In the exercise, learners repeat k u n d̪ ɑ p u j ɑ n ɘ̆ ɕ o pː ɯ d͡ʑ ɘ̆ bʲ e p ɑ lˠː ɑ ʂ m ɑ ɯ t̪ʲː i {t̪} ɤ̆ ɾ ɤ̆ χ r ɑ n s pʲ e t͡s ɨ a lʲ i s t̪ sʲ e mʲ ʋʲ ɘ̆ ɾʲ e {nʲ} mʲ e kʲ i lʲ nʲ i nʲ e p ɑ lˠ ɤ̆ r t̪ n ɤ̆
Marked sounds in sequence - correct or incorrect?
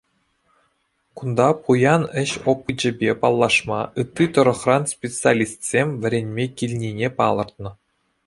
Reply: correct, correct

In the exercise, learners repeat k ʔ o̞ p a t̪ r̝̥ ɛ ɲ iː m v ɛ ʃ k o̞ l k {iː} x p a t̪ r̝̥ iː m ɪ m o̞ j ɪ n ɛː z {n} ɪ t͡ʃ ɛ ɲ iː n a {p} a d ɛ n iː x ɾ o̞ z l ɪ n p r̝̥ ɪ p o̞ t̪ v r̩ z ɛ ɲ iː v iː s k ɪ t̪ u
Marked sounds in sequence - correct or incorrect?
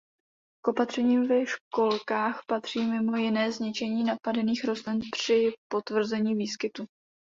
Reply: incorrect: aː, incorrect: ɲ, correct

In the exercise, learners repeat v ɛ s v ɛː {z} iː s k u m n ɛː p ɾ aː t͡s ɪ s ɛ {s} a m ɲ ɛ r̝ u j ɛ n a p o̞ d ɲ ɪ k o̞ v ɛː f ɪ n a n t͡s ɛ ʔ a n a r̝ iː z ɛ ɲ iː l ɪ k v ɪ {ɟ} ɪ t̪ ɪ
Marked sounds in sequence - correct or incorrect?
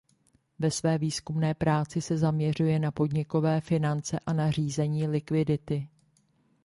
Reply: incorrect: v, incorrect: z, incorrect: d

